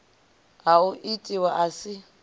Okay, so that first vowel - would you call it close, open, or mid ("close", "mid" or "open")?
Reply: open